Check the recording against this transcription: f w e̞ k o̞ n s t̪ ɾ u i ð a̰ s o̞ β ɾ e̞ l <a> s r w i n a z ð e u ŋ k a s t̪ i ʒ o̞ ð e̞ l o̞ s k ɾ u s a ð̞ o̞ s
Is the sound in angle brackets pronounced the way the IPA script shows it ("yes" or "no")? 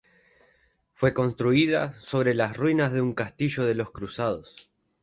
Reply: yes